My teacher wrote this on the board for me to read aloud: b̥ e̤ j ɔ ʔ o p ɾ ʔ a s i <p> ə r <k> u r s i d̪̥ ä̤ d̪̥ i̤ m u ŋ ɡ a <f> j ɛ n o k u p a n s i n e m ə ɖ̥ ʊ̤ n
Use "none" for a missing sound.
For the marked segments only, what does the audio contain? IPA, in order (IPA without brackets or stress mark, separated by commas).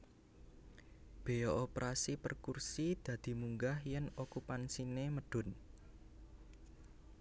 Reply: p, k, h